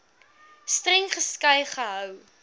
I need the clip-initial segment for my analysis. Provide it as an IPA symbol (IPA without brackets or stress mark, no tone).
s